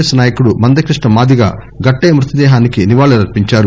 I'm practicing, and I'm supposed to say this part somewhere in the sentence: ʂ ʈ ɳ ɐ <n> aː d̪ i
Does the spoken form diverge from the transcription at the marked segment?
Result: yes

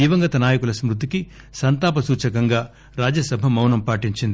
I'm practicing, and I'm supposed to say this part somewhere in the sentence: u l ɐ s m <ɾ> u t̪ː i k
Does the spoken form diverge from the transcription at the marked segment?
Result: no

